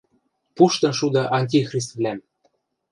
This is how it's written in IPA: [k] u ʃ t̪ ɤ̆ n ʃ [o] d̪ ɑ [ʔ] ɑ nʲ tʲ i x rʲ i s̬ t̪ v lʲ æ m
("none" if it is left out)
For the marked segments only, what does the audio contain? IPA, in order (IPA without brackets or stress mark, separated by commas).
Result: p, u, ʔ